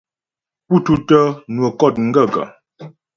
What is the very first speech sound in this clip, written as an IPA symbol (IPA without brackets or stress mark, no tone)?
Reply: p